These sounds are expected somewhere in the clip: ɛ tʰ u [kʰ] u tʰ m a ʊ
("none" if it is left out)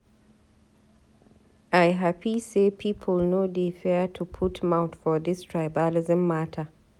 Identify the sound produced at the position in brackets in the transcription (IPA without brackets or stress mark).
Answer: pʰ